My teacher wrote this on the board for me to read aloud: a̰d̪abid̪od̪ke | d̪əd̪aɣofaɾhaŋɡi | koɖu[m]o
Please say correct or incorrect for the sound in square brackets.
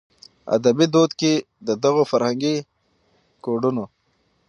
incorrect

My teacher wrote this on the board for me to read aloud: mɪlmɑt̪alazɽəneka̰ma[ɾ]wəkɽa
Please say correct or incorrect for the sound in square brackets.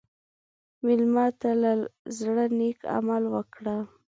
incorrect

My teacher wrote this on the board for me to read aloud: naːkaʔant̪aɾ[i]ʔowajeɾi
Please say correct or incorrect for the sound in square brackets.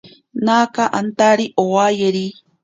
correct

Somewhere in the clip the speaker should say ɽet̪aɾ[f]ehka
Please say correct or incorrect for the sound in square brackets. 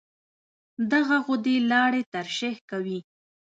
incorrect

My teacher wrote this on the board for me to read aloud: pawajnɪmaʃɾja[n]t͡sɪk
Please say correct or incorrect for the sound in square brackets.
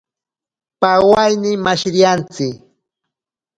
correct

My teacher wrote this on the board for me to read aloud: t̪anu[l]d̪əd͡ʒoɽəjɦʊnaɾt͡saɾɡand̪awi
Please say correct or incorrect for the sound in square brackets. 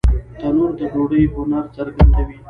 incorrect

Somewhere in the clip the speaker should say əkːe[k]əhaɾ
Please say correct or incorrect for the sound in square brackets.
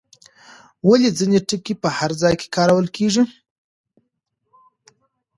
incorrect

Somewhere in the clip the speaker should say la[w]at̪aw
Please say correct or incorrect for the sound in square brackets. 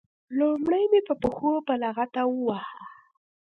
incorrect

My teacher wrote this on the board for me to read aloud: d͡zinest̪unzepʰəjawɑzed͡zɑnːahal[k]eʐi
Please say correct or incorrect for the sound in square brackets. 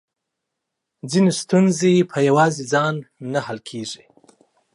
incorrect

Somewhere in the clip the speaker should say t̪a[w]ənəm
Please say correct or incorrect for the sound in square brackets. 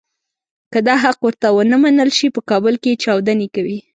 correct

